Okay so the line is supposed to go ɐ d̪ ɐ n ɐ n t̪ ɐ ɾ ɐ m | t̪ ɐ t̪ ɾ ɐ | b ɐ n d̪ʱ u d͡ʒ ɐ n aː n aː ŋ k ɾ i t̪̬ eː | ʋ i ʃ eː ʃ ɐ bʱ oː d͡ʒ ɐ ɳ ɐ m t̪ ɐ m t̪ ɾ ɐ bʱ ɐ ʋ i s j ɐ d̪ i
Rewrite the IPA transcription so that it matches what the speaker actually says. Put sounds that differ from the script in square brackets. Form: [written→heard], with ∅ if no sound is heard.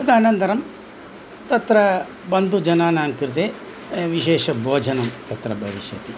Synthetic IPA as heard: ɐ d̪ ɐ n ɐ n t̪ ɐ ɾ ɐ m | t̪ ɐ t̪ ɾ ɐ | b ɐ n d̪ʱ u d͡ʒ ɐ n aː n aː ŋ k ɾ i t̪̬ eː | ʋ i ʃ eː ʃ ɐ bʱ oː d͡ʒ ɐ [ɳ→n] ɐ m t̪ ɐ [m→∅] t̪ ɾ ɐ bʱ ɐ ʋ i [s→ʃ] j ɐ [d̪→t̪] i